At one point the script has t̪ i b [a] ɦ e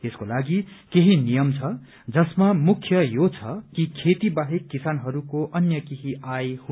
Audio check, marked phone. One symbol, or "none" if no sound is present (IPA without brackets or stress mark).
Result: a